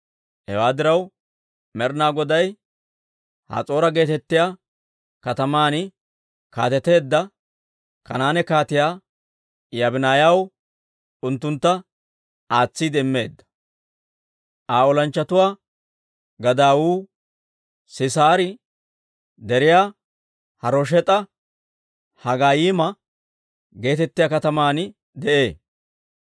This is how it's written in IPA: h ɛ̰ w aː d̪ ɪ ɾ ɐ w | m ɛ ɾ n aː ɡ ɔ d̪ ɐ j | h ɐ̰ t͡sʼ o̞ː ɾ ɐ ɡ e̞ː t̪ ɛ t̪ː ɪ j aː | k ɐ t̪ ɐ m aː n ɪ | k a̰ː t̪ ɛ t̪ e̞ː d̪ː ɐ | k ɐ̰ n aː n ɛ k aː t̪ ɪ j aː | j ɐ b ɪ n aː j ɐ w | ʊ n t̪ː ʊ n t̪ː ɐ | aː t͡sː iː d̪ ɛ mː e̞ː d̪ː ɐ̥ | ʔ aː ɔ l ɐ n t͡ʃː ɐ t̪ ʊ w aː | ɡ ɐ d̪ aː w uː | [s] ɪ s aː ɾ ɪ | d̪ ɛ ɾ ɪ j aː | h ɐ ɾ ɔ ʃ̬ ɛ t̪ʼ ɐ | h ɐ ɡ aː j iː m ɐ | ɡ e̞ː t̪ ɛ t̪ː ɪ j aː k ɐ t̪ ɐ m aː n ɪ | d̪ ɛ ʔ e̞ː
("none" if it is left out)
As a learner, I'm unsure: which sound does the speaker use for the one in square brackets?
s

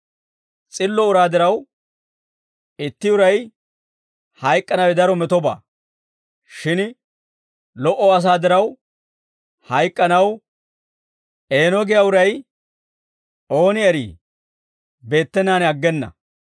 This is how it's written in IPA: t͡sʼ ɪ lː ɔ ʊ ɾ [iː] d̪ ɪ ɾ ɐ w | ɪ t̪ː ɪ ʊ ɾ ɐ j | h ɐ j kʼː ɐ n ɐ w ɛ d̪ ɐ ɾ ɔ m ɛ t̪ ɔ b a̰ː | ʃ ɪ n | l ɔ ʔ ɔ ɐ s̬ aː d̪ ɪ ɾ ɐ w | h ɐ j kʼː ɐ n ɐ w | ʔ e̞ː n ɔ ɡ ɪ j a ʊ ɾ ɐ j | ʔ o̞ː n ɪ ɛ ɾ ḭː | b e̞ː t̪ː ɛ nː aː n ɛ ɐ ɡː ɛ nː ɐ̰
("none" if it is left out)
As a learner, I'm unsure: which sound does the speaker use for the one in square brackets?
aː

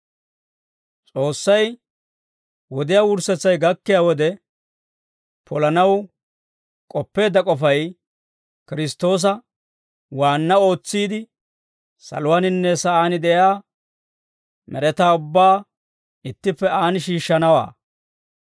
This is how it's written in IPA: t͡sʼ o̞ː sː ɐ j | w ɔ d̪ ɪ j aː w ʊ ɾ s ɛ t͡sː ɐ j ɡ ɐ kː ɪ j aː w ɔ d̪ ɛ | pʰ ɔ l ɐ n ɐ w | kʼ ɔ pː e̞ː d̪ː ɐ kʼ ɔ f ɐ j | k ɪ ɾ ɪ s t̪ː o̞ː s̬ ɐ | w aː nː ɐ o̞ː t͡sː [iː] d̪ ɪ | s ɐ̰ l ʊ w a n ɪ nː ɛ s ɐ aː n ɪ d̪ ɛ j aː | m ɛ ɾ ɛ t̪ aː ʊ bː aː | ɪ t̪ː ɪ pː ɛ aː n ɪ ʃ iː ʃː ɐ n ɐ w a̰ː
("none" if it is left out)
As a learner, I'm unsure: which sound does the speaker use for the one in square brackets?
iː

